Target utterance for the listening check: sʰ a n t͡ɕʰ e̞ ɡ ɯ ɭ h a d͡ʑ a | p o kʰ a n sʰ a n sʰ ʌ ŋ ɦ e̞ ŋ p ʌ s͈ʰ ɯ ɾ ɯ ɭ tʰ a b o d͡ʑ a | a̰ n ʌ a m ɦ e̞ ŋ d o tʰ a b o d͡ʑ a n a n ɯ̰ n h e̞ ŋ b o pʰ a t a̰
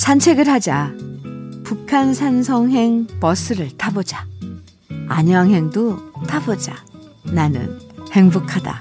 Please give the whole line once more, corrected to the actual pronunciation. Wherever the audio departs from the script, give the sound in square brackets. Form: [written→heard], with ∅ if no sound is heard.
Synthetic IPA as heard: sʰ a n t͡ɕʰ e̞ ɡ ɯ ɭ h a d͡ʑ a | p [o→u] kʰ a n sʰ a n sʰ ʌ ŋ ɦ e̞ ŋ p ʌ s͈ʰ ɯ ɾ ɯ ɭ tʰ a b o d͡ʑ a | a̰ [n→ɲ] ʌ a [m→ŋ] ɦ e̞ ŋ d o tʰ a b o d͡ʑ a n a n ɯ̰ n h e̞ ŋ b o [pʰ→kʰ] a [t→d] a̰